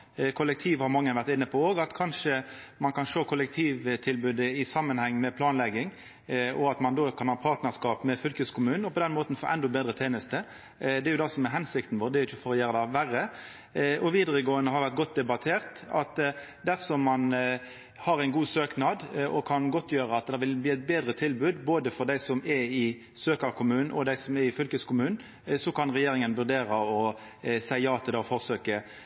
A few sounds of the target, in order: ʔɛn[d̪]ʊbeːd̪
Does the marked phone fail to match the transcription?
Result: no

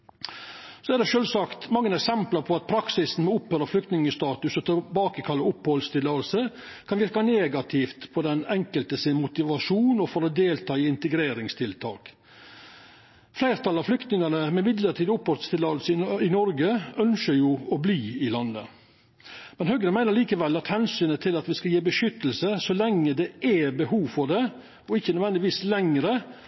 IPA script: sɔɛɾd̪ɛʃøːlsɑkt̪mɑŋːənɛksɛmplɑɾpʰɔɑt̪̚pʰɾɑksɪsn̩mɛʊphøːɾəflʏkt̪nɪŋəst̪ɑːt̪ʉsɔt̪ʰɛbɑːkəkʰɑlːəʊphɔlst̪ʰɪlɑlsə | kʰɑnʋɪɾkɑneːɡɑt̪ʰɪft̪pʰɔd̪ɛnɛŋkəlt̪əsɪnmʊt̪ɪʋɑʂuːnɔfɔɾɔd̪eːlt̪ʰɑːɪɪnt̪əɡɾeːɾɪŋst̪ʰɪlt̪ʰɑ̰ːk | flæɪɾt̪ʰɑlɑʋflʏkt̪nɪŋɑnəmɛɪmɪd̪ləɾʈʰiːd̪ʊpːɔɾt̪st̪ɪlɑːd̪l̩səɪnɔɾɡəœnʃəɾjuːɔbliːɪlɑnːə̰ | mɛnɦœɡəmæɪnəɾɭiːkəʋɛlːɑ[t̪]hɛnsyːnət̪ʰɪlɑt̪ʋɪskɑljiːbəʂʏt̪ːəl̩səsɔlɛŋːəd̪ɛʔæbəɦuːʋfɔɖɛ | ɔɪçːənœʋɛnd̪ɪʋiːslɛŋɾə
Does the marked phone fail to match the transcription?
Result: no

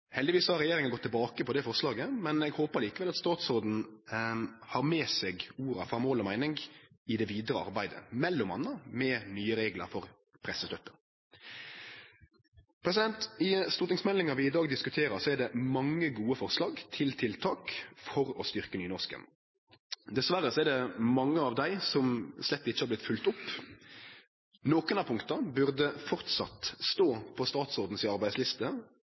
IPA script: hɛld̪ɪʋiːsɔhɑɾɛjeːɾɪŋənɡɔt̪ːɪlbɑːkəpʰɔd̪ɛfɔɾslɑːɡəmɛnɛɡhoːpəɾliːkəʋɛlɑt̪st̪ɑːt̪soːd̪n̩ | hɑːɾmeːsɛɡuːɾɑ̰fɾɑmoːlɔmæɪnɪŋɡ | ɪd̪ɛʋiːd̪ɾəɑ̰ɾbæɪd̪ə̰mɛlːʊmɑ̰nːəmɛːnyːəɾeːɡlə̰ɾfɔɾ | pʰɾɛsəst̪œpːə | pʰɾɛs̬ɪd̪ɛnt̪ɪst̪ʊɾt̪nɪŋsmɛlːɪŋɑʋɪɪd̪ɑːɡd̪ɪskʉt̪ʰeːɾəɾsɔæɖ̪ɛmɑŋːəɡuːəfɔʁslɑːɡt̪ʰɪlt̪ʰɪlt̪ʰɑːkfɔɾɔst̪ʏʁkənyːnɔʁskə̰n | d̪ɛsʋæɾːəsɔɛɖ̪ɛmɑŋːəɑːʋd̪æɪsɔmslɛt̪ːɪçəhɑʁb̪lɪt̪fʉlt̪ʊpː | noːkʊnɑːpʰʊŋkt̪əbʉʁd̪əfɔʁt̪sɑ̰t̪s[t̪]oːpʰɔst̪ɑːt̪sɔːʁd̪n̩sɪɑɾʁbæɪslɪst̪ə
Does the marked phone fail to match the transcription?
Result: no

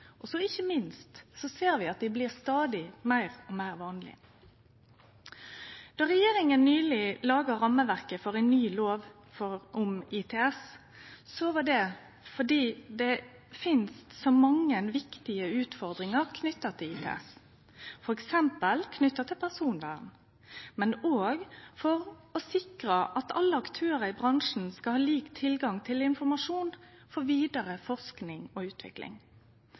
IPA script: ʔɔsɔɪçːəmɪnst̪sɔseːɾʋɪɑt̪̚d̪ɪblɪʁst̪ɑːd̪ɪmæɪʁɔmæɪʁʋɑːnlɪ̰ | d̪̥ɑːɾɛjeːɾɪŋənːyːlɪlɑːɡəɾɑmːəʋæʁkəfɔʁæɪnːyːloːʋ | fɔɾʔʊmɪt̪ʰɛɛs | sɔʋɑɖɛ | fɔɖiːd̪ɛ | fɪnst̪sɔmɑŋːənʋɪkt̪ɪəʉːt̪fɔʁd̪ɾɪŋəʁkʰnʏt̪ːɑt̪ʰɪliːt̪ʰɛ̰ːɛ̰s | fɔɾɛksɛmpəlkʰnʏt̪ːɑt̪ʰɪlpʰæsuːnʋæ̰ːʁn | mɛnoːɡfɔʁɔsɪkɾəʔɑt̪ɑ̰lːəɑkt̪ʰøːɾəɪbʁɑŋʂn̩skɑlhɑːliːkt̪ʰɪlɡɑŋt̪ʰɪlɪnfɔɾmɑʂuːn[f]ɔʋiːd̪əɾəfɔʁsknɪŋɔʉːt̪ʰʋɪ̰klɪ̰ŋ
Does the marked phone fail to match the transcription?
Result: no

